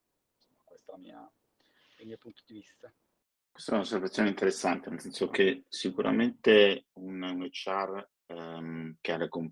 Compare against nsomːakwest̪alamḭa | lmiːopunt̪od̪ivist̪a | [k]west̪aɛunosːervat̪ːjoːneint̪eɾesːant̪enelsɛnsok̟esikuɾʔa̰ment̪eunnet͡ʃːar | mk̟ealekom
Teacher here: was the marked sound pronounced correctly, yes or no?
yes